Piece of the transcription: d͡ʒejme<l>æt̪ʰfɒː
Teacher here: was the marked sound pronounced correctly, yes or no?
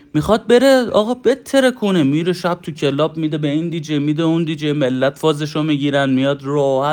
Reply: no